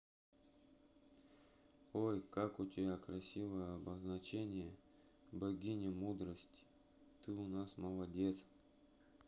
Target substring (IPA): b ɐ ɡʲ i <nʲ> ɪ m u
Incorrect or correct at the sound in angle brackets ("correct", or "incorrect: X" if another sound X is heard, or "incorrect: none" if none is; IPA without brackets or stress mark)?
correct